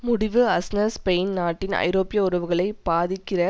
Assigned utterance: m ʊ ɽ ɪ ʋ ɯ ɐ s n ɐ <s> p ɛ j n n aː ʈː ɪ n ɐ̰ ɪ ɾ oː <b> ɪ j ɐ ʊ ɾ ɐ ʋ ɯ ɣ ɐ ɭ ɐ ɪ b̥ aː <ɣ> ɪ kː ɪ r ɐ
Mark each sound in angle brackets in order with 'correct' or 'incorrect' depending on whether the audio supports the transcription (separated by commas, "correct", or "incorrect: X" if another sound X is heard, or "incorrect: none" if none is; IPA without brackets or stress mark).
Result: correct, incorrect: p, incorrect: ð